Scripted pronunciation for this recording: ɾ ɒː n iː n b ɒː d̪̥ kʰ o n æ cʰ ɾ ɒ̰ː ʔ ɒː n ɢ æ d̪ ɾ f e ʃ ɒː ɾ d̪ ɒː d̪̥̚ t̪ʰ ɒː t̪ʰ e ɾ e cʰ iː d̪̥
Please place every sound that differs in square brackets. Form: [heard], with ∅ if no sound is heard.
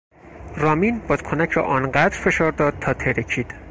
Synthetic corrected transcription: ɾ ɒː [m] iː n b ɒː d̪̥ kʰ o n æ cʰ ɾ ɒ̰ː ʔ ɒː n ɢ æ d̪ ɾ f e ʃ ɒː ɾ d̪ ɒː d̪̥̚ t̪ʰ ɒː t̪ʰ e ɾ e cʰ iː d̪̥

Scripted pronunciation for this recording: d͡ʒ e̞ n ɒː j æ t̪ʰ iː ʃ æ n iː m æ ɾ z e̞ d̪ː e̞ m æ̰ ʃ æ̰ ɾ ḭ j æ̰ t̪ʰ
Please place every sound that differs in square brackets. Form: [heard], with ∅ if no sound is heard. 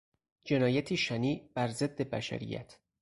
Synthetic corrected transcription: d͡ʒ e̞ n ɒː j æ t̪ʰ iː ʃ æ n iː [b] æ ɾ z e̞ d̪ː e̞ [b] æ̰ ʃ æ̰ ɾ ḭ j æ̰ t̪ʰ

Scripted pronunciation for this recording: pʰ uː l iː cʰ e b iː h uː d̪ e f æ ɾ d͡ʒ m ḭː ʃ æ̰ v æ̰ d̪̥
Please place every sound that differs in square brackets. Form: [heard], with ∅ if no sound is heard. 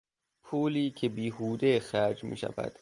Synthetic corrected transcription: pʰ uː l iː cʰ e b iː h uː d̪ e [x] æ ɾ d͡ʒ m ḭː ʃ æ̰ v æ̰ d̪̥

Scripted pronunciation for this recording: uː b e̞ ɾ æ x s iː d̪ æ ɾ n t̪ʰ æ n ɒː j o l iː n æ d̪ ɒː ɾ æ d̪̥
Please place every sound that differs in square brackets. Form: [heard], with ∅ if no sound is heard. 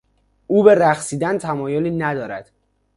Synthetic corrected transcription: uː b e̞ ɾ æ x s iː d̪ æ [∅] n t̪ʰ æ [m] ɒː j o l iː n æ d̪ ɒː ɾ æ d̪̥

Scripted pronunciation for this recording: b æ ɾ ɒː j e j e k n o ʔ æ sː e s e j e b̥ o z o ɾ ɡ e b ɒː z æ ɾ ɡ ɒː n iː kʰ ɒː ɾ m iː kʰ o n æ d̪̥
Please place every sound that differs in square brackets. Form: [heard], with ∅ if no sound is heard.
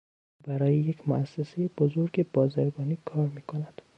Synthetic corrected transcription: b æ ɾ ɒː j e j e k [m] o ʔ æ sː e s e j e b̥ o z o ɾ ɡ e b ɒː z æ ɾ ɡ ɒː n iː kʰ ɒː ɾ m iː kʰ o n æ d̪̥

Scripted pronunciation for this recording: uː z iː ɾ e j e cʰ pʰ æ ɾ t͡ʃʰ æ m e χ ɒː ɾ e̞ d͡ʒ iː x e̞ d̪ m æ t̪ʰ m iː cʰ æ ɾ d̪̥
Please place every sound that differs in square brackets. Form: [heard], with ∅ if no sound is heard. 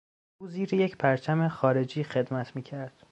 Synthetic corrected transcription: uː z iː ɾ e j e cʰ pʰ æ ɾ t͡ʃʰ æ m e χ ɒː ɾ e̞ d͡ʒ iː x e̞ d̪ m æ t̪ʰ m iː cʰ æ ɾ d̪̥

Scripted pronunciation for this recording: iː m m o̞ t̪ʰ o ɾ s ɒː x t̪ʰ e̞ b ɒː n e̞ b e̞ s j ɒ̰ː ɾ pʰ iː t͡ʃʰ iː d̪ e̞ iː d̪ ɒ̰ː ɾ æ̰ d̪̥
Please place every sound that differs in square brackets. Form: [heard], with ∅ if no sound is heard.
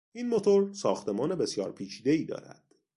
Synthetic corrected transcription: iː [n] m o̞ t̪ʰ o ɾ s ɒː x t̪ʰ e̞ [m] ɒː n e̞ b e̞ s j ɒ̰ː ɾ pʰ iː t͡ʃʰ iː d̪ e̞ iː d̪ ɒ̰ː ɾ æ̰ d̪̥

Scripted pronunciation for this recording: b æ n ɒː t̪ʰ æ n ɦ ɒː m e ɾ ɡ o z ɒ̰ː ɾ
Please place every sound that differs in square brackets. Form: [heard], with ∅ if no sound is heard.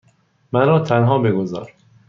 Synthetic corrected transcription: [m] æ n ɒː t̪ʰ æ n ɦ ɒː [b] e [∅] ɡ o z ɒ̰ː ɾ

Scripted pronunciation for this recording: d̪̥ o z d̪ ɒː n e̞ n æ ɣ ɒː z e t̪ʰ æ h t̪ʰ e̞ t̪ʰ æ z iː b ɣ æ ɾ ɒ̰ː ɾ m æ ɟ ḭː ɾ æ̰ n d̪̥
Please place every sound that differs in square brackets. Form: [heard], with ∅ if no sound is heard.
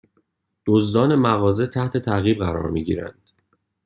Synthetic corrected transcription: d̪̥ o z d̪ ɒː n e̞ [m] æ ɣ ɒː z e t̪ʰ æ h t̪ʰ e̞ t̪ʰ æ [ɣ] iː b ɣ æ ɾ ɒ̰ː ɾ m [i] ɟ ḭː ɾ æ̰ n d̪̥

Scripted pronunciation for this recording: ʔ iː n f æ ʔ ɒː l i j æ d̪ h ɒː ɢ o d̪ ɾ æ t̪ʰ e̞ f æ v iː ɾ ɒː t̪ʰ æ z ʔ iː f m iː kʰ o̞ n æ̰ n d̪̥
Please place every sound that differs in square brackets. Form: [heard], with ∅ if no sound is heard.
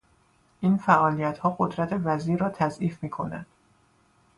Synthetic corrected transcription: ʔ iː n f æ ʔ ɒː l i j æ [t̪] h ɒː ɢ o d̪ ɾ æ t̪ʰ e̞ [v] æ [z] iː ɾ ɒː t̪ʰ æ z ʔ iː f m iː kʰ o̞ n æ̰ n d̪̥

